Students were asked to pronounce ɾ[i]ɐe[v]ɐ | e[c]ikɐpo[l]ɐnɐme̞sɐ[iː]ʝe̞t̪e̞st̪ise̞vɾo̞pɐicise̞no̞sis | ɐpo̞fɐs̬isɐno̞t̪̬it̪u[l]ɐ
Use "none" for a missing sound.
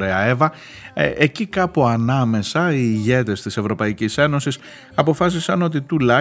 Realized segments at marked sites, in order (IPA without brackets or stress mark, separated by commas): e, v, c, none, iː, l